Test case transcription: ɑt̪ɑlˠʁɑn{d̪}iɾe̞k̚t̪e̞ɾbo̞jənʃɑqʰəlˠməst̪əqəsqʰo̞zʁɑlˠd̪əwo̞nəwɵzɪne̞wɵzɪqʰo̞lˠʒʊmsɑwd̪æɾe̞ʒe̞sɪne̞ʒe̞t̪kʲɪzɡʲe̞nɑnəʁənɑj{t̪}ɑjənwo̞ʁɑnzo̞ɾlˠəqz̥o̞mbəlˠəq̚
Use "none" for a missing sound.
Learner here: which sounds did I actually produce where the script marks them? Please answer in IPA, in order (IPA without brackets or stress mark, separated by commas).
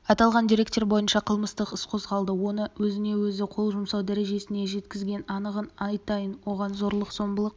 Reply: d̪, t̪